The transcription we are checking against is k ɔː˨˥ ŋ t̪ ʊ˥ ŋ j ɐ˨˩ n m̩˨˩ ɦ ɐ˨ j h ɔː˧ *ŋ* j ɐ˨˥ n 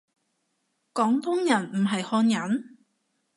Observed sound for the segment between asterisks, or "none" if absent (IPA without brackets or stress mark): n